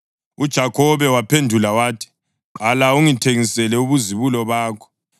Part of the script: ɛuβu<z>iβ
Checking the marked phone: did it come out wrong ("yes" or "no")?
no